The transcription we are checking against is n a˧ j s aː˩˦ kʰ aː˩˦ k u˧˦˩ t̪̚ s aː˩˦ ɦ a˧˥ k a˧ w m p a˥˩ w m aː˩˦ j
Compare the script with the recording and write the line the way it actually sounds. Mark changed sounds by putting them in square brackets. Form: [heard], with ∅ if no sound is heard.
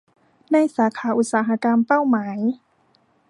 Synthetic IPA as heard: n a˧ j s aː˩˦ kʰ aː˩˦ [ʔ] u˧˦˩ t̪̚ s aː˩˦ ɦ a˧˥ k a˧ [∅] m p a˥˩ w m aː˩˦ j